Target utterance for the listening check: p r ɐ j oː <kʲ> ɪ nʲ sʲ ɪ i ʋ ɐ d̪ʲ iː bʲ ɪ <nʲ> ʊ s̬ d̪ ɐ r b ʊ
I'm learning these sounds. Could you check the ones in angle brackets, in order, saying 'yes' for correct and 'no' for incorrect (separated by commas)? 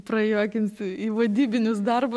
yes, yes